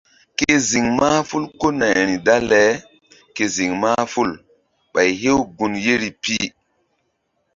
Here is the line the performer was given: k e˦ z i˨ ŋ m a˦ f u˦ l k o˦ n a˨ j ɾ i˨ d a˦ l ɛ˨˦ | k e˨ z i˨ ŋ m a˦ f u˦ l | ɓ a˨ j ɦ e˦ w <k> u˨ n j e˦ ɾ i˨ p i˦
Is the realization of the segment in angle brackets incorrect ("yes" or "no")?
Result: yes